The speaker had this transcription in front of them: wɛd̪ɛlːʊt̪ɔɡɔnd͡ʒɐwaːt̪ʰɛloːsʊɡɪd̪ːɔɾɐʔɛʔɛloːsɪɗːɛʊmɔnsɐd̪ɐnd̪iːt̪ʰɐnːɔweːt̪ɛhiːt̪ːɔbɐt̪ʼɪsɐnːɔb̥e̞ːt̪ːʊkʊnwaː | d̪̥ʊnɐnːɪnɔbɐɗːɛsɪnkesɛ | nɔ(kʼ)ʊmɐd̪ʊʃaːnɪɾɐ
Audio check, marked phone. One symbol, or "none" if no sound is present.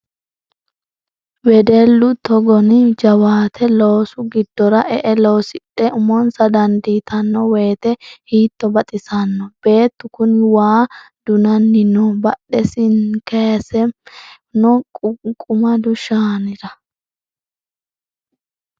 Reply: kʼ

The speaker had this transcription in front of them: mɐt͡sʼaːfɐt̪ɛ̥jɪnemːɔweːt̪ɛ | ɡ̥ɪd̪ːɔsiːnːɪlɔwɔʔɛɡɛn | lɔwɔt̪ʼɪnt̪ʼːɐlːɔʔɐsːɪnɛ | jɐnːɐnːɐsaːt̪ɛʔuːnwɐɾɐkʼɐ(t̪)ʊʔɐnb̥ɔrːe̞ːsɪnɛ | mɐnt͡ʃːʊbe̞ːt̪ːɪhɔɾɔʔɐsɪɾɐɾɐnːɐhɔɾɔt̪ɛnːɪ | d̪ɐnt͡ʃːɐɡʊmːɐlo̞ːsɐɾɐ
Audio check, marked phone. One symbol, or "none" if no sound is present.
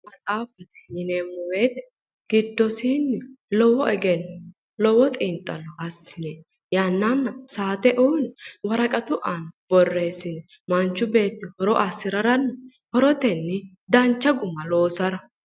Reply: t̪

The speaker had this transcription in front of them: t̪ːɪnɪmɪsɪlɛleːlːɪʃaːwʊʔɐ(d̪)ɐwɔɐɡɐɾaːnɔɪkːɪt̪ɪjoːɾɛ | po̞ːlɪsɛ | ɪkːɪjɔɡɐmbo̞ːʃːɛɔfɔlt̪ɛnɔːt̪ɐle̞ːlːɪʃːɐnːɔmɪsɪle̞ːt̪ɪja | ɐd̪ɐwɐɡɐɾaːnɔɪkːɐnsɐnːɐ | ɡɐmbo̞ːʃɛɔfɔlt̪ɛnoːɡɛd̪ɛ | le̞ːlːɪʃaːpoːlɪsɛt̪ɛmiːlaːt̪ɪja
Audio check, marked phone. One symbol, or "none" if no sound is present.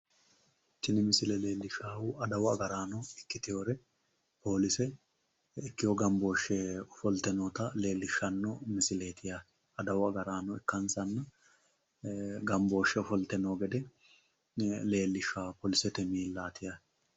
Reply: d̪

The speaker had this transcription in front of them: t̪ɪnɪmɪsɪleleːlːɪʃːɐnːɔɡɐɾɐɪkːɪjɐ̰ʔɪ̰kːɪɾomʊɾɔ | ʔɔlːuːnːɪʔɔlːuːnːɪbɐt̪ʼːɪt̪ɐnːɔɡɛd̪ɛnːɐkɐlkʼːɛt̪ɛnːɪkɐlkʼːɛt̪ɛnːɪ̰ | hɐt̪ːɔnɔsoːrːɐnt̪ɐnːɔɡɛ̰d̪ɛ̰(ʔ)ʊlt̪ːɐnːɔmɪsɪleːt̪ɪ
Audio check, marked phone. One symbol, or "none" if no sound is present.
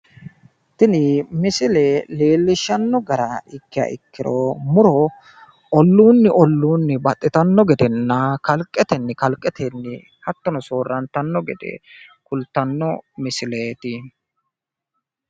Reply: k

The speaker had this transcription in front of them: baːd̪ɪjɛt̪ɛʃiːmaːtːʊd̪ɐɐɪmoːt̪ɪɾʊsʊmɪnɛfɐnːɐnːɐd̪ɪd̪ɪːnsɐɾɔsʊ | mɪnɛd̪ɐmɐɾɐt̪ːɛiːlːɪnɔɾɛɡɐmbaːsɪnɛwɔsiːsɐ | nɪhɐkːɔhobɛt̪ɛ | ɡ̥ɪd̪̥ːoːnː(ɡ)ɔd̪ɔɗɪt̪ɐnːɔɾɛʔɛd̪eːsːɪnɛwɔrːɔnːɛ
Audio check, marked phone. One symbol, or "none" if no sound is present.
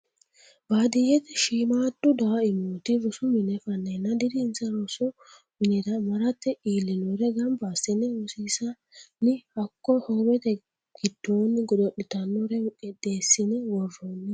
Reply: ɡ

